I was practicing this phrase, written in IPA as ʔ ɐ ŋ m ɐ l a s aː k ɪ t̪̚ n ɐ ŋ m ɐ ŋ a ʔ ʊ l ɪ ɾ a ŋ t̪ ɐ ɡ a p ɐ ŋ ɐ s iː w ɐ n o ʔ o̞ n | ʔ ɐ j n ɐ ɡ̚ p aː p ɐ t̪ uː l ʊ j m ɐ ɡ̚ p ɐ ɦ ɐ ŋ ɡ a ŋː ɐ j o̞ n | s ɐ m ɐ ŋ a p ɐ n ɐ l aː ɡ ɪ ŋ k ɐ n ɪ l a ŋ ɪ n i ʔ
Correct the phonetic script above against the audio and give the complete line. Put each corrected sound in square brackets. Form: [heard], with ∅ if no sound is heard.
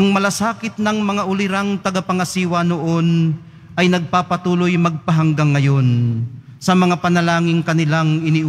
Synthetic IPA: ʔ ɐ ŋ m ɐ l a s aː k ɪ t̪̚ n ɐ ŋ m ɐ ŋ a ʔ ʊ l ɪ ɾ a ŋ t̪ ɐ ɡ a p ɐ ŋ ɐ s iː w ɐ n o ʔ o̞ n | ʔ ɐ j n ɐ ɡ̚ p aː p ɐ t̪ uː l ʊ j m ɐ ɡ̚ p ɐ ɦ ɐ ŋ ɡ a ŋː ɐ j o̞ n | s ɐ m ɐ ŋ a p ɐ n ɐ l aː [ŋ] ɪ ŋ k ɐ n ɪ l a ŋ ɪ n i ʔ

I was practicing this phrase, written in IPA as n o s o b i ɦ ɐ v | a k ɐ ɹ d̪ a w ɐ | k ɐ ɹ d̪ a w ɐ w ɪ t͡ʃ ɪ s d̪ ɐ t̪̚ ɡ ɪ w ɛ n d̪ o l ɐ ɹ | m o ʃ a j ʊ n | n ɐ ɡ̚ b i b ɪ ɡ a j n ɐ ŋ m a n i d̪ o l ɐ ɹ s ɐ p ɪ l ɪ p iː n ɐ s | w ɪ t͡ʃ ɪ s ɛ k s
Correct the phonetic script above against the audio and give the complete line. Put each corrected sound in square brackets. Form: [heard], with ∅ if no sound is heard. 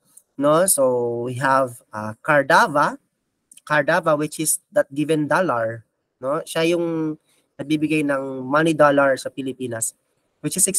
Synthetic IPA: n o s o [w] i ɦ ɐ v | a k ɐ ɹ d̪ a [v] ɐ | k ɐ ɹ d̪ a [v] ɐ w ɪ t͡ʃ ɪ s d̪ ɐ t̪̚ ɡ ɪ [v] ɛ n d̪ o l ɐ ɹ | [n] o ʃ a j ʊ [ŋ] | n ɐ ɡ̚ b i b ɪ ɡ a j n ɐ ŋ m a n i d̪ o l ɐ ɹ s ɐ p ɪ l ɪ p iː n ɐ s | w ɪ t͡ʃ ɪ s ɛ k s

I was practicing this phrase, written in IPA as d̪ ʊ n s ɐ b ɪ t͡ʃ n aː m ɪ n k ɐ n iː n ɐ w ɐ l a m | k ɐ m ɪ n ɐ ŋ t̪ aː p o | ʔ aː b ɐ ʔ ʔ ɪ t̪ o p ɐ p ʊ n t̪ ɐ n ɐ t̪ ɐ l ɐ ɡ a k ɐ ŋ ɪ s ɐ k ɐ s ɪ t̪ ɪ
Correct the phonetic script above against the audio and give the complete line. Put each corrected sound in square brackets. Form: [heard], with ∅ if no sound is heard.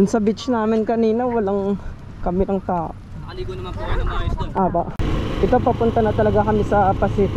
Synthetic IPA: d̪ ʊ n s ɐ b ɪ t͡ʃ n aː m ɪ n k ɐ n iː n ɐ w ɐ l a [ŋ] | k ɐ m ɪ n ɐ ŋ t̪ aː [ʔ] o | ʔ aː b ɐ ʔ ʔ ɪ t̪ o p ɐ p ʊ n t̪ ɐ n ɐ t̪ ɐ l ɐ ɡ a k ɐ [m] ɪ s ɐ [p] ɐ s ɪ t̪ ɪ

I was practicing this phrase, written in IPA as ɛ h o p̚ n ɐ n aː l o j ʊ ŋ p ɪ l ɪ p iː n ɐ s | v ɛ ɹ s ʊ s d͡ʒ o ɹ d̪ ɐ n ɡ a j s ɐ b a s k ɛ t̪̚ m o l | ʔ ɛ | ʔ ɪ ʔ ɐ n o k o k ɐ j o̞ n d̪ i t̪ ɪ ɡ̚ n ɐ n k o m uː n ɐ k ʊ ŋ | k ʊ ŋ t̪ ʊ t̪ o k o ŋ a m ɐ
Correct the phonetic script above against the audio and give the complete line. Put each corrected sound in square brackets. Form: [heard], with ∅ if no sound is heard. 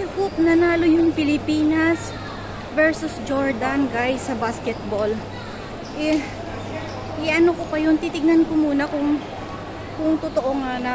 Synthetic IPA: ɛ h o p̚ n ɐ n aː l o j ʊ ŋ p ɪ l ɪ p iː n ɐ s | v ɛ ɹ s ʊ s d͡ʒ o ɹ d̪ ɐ n ɡ a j s ɐ b a s k ɛ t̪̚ [b] o l | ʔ ɛ | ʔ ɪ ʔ ɐ n o k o [p] ɐ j o̞ n [t̪] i t̪ ɪ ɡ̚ n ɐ n k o m uː n ɐ k ʊ ŋ | k ʊ ŋ t̪ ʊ t̪ o [ʔ] o ŋ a [n] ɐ

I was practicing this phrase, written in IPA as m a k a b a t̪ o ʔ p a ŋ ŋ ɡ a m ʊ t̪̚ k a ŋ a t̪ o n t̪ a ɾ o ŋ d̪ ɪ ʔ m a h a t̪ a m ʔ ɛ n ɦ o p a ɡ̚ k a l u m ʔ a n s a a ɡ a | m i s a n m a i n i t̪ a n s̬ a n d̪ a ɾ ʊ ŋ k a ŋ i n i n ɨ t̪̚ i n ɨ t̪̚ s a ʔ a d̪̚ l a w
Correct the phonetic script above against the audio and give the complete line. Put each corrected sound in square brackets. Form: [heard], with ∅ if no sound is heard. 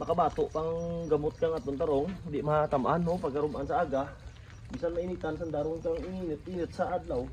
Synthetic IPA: m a k a b a t̪ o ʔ p a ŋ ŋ ɡ a m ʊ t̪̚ k a ŋ a t̪ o n t̪ a ɾ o ŋ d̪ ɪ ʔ m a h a t̪ a m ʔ [a] n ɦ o p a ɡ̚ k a [ɾ] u m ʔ a n s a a ɡ a | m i s a n m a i n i t̪ a n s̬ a n d̪ a ɾ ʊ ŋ k a ŋ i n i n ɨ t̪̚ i n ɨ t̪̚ s a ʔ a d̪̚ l a w

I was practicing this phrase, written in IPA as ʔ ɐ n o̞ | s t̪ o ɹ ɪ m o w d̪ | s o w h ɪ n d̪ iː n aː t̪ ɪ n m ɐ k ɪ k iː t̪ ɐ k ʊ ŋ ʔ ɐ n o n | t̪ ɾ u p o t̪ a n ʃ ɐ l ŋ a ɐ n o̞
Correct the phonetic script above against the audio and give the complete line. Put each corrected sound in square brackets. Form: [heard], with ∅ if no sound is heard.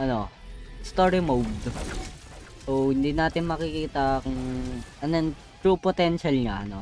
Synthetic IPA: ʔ ɐ n o̞ | s t̪ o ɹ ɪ m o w d̪ | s o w h ɪ n d̪ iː n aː t̪ ɪ n m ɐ k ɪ k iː t̪ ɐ k ʊ ŋ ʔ ɐ n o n | t̪ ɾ u p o t̪ [ɛ] n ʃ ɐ l ŋ a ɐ n o̞

